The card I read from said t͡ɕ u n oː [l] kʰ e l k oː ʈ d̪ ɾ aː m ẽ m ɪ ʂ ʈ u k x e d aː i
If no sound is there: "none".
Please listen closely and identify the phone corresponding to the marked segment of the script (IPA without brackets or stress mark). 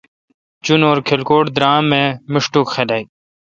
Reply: ɾ